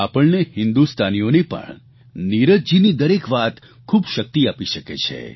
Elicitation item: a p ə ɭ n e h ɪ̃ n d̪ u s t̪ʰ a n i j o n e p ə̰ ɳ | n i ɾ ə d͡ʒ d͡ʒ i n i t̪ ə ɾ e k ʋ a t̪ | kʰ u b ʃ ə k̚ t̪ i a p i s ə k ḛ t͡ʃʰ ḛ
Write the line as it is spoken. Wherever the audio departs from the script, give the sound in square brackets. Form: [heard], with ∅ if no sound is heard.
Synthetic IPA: a p ə ɭ n e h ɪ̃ n d̪ u s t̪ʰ a n i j o n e p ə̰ ɳ | n i ɾ ə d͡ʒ d͡ʒ i n i [d̪] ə ɾ e k ʋ a t̪ | kʰ u b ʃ ə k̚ t̪ i a p i [ʃ] ə k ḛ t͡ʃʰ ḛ